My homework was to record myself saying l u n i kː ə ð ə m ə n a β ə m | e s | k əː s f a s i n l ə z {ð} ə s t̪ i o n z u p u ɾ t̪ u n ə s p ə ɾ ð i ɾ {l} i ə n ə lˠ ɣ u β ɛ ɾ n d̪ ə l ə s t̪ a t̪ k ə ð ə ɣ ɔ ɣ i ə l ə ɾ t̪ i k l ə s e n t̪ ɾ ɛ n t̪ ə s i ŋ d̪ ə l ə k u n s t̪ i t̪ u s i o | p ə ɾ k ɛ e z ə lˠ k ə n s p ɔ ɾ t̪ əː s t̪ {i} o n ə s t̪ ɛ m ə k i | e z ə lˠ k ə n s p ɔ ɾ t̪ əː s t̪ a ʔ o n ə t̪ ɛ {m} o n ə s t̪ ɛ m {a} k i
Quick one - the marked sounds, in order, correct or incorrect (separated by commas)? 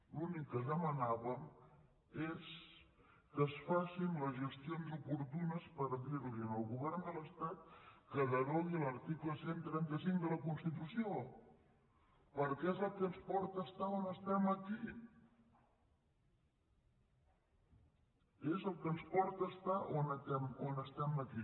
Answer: incorrect, correct, incorrect, correct, incorrect